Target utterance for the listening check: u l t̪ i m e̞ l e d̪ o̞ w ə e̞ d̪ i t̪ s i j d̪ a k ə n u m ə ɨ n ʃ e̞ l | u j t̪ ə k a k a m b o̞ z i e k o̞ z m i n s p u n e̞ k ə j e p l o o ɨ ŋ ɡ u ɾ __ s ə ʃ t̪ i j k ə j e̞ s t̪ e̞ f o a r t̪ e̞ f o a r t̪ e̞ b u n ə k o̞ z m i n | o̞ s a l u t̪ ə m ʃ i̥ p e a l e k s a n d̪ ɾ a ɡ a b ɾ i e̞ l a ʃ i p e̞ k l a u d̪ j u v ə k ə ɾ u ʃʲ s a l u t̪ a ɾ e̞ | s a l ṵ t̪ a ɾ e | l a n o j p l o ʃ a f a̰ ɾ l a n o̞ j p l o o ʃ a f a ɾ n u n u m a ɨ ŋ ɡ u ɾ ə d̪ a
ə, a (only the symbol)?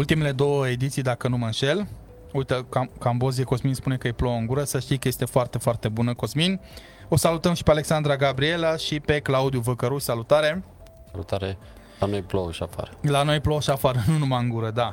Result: ə